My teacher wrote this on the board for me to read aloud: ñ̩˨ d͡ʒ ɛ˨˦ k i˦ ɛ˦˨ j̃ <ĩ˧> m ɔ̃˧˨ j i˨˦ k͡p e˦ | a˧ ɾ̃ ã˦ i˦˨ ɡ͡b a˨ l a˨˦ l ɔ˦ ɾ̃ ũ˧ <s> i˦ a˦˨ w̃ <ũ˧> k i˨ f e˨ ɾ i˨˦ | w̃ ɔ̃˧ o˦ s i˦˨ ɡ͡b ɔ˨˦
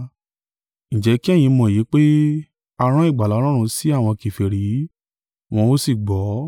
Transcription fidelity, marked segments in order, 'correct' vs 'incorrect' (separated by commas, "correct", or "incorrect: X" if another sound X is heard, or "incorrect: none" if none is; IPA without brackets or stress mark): correct, correct, incorrect: ɔ̃˧